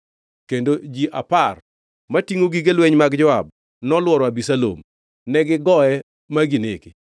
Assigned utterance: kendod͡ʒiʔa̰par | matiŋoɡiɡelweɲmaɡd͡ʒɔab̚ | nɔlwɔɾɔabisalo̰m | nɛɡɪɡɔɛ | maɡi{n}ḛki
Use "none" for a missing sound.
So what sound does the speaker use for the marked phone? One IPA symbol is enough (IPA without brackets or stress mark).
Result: n